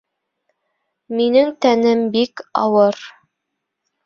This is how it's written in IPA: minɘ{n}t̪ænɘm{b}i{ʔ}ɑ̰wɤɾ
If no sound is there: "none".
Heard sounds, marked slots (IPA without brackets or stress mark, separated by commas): ŋ, b, k